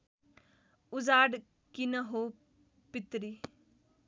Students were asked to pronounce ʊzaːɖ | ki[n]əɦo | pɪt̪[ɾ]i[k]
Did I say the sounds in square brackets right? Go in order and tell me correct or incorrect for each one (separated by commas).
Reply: correct, correct, incorrect